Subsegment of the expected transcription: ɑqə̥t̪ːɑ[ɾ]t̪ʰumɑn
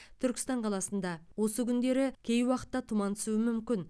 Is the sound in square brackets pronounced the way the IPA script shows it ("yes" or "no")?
no